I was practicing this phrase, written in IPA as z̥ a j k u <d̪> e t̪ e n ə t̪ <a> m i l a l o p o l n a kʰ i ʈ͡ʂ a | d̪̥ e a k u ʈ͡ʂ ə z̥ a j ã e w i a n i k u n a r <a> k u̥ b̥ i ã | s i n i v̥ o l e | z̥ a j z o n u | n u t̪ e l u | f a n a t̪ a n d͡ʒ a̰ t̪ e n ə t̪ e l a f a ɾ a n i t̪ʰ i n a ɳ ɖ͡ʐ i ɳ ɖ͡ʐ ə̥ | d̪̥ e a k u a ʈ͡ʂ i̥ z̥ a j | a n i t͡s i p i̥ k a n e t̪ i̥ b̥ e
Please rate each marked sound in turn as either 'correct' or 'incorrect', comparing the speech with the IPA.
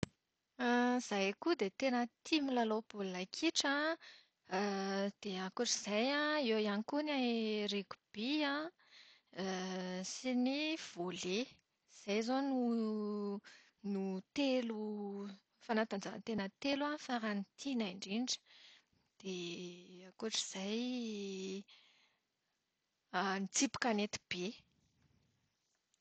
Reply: correct, incorrect: i, incorrect: e

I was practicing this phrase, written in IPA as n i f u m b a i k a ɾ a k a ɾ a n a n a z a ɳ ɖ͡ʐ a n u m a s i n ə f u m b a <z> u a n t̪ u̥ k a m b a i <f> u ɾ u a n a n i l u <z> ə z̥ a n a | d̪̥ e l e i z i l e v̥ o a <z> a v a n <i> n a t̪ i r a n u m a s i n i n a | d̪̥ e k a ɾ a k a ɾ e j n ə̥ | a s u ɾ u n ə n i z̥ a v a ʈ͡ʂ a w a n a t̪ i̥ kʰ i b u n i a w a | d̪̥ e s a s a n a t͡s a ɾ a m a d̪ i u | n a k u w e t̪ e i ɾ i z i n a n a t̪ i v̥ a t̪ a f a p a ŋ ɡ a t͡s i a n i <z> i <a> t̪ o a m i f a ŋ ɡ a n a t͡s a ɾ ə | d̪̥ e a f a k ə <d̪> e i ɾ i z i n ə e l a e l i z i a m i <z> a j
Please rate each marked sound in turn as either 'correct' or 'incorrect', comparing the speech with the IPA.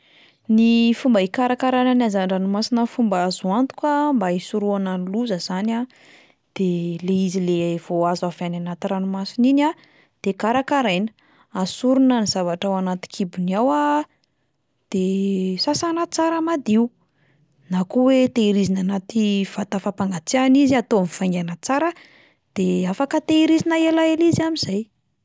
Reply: correct, incorrect: s, correct, correct, incorrect: a, correct, correct, incorrect: t̪, correct

